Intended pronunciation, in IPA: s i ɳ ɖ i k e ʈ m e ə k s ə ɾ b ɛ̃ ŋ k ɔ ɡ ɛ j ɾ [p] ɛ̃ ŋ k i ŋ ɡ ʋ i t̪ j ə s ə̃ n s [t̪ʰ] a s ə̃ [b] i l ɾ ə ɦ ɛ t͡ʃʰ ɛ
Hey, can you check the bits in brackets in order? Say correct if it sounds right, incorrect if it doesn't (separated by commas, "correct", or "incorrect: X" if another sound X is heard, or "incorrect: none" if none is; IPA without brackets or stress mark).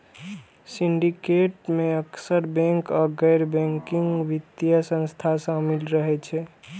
incorrect: b, correct, incorrect: m